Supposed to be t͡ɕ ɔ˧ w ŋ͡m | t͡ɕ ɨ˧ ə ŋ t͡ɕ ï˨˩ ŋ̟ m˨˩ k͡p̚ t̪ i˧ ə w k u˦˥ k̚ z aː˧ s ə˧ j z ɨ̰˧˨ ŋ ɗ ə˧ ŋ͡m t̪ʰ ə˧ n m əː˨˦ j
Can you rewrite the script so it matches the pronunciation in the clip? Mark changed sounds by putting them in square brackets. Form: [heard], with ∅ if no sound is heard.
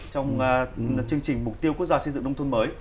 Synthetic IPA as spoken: t͡ɕ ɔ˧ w ŋ͡m | t͡ɕ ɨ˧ ə ŋ t͡ɕ ï˨˩ ŋ̟ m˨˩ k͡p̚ t̪ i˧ ə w k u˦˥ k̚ z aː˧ s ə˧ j z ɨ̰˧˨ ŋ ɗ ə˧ ŋ͡m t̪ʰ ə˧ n m əː˨˦ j